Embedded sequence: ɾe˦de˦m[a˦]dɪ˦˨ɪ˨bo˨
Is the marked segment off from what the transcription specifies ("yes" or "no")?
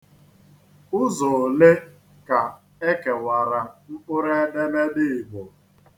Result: yes